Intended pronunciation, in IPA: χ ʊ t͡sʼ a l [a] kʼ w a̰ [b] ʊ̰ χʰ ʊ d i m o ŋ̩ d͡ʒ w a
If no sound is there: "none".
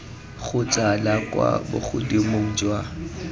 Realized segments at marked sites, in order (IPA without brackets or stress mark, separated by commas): a, b